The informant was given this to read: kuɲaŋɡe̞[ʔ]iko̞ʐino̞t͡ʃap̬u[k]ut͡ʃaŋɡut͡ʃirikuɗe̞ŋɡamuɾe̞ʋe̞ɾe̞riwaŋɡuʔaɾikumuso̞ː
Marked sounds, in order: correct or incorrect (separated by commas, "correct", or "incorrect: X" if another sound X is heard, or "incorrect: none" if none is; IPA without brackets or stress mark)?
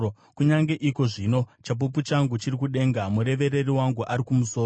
correct, incorrect: p